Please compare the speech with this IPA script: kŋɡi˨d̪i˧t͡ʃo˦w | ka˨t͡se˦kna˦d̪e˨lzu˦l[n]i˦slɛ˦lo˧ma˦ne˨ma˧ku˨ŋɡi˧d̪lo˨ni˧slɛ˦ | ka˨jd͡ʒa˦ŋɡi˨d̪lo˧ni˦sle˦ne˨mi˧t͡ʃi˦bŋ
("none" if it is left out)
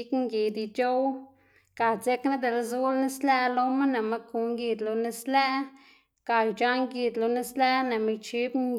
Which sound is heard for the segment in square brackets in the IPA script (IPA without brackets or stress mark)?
n